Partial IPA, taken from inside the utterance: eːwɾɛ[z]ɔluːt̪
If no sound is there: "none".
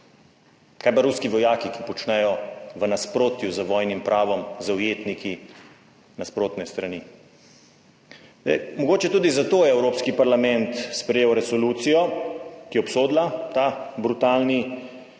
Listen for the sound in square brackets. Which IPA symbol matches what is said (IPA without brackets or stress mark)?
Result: s